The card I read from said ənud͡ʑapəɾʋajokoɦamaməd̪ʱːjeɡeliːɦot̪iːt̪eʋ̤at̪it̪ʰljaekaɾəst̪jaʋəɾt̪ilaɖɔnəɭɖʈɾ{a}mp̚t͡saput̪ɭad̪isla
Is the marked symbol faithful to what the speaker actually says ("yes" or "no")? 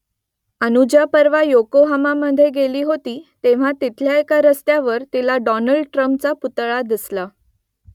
no